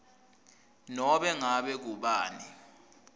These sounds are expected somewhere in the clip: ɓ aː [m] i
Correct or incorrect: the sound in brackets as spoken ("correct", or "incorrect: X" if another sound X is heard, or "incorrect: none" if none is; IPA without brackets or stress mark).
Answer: incorrect: n